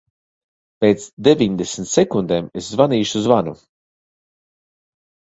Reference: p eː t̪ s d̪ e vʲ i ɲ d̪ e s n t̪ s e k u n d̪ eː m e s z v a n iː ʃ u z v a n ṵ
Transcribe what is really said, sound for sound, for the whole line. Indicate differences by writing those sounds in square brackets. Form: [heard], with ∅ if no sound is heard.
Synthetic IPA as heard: p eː t̪ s d̪ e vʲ i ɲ d̪ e s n t̪ s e k u n d̪ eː m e s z v a n iː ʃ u z v a n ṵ